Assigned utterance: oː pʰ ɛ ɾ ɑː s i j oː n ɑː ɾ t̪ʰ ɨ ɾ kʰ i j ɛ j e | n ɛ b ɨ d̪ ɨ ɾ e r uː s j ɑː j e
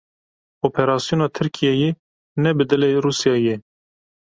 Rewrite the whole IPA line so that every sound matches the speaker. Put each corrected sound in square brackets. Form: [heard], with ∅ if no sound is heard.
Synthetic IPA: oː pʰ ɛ ɾ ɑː s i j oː n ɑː [∅] t̪ʰ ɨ ɾ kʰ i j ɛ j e | n ɛ b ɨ d̪ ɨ [l] e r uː s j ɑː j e

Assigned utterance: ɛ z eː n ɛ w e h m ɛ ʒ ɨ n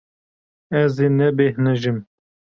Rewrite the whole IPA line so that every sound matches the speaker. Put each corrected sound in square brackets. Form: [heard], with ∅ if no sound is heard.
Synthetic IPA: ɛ z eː n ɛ [b] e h [n] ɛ ʒ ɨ [m]

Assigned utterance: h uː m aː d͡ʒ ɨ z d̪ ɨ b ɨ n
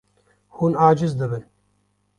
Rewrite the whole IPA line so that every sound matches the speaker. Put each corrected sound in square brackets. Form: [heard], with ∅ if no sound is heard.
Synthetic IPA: h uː [n] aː d͡ʒ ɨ z d̪ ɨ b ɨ n

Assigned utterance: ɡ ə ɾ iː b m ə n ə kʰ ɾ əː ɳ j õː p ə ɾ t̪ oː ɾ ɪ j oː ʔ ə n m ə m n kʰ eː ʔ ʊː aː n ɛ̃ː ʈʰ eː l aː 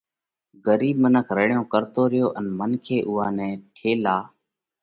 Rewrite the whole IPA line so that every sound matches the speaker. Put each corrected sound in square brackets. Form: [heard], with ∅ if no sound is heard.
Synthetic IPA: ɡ ə ɾ iː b m ə n ə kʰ ɾ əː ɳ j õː [k] ə ɾ t̪ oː ɾ ɪ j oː ʔ ə n m ə [∅] n kʰ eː ʔ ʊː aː n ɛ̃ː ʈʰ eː l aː

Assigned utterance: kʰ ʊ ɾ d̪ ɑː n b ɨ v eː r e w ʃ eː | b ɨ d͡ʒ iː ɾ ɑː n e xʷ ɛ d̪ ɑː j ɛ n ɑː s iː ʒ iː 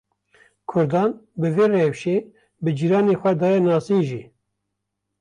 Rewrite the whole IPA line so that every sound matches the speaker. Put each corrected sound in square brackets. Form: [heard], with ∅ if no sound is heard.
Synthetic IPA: kʰ ʊ ɾ d̪ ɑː n b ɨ v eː r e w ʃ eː | b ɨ d͡ʒ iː ɾ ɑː n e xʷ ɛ d̪ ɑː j ɛ n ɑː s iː ʒ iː

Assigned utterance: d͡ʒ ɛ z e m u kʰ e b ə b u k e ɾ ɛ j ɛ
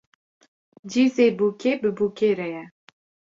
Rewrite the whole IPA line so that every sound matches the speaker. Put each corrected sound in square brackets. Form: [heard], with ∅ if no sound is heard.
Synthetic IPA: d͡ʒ [i] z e [b] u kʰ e b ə b u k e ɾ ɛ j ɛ

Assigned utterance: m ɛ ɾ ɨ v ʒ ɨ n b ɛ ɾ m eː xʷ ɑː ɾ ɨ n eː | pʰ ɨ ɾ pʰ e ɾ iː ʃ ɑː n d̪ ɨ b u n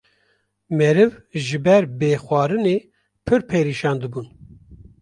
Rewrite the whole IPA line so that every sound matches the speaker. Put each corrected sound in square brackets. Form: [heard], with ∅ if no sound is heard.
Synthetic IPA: m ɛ ɾ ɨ v ʒ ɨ [∅] b ɛ ɾ [b] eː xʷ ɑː ɾ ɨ n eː | pʰ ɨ ɾ pʰ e ɾ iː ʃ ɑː n d̪ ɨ b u n

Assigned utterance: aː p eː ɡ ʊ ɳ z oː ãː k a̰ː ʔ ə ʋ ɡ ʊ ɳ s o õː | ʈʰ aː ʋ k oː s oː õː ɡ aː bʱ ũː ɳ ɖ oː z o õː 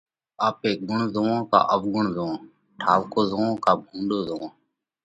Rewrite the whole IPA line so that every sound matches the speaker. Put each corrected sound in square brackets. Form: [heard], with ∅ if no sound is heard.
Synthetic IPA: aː p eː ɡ ʊ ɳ z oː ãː k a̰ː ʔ ə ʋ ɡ ʊ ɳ [z] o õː | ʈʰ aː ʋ k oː [z] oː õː [k] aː bʱ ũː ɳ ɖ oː z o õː

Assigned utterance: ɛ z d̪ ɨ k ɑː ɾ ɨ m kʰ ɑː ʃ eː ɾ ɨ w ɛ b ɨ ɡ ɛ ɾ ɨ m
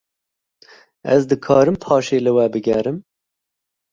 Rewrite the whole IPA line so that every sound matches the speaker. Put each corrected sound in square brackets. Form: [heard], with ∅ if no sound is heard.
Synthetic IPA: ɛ z d̪ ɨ [kʰ] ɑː ɾ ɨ m [pʰ] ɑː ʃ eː [l] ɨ w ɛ b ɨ ɡ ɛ ɾ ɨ m

